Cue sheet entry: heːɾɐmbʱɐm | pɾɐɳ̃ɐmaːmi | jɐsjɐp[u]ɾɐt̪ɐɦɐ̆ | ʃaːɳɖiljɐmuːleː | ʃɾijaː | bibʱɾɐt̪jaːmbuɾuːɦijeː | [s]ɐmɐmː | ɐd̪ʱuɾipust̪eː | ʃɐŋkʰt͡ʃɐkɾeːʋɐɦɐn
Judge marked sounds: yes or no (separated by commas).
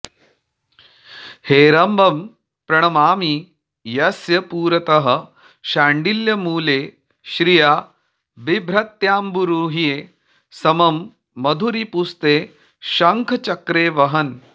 no, yes